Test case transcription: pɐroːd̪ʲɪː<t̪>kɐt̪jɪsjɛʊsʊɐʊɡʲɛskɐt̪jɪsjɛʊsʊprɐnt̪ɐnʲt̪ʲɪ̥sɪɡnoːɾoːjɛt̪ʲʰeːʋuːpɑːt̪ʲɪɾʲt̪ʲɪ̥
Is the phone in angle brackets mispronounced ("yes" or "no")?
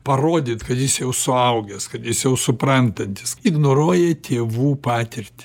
no